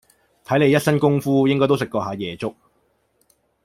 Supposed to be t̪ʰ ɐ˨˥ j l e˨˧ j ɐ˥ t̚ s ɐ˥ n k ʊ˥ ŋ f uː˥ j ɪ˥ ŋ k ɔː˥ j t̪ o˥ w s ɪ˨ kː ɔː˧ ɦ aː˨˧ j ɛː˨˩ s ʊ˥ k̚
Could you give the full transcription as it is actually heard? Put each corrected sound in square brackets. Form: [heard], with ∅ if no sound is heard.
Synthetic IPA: t̪ʰ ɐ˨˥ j l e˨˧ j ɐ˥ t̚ s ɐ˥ n k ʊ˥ ŋ f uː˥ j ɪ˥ ŋ k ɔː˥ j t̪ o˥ w s ɪ˨ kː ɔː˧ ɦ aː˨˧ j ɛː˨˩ [t͡s] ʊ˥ k̚